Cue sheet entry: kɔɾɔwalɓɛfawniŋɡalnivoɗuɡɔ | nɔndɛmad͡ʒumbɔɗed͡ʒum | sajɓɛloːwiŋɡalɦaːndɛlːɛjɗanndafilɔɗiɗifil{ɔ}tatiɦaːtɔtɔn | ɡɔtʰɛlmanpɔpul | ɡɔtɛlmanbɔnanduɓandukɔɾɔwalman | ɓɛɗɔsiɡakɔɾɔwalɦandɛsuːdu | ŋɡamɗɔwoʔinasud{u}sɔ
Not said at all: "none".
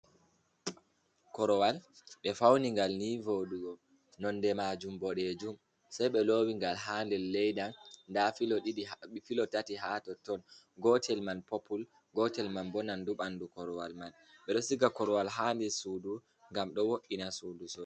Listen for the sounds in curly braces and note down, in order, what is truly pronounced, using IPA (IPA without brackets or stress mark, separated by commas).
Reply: ɔ, u